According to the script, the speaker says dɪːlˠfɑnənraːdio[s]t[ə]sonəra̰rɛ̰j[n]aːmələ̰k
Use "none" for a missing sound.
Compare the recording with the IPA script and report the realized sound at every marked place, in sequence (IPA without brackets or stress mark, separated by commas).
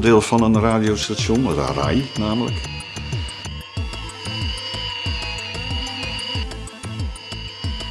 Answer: s, a, n